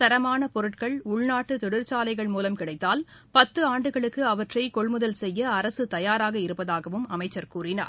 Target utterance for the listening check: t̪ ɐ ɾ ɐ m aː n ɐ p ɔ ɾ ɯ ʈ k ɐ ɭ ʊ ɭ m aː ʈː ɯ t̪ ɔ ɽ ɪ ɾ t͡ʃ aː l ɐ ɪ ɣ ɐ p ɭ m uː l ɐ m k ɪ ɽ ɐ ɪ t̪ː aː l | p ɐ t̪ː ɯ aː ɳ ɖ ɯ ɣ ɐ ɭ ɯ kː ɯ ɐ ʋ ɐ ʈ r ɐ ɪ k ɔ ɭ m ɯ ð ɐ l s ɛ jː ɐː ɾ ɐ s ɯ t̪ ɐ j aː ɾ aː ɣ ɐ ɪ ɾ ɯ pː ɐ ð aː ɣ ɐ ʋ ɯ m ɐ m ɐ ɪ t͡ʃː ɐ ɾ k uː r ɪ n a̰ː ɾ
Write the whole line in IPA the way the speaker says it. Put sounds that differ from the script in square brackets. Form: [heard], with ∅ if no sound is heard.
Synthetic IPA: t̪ ɐ ɾ ɐ m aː n ɐ p ɔ ɾ ɯ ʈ k ɐ ɭ ʊ ɭ [n] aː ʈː ɯ t̪ ɔ ɽ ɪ ɾ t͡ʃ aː l ɐ ɪ ɣ ɐ [∅] ɭ m uː l ɐ m k ɪ ɽ ɐ ɪ t̪ː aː l | p ɐ t̪ː ɯ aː ɳ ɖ ɯ ɣ ɐ ɭ ɯ kː ɯ ɐ ʋ ɐ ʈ r ɐ ɪ k ɔ ɭ m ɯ ð ɐ l s ɛ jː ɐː ɾ ɐ s ɯ t̪ ɐ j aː ɾ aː ɣ ɐ ɪ ɾ ɯ pː ɐ ð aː ɣ ɐ ʋ ɯ m ɐ m ɐ ɪ t͡ʃː ɐ ɾ k uː r ɪ n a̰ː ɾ